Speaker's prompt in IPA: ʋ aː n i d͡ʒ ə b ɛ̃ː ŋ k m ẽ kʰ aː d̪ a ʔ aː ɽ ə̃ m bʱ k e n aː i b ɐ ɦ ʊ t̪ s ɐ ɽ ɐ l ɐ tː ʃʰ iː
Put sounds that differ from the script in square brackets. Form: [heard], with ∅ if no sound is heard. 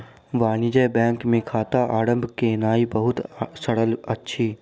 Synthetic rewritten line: ʋ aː n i d͡ʒ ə b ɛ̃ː ŋ k m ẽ kʰ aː [t̪] a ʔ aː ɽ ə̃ m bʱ k e n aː i b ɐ ɦ ʊ t̪ s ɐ ɽ [ə] l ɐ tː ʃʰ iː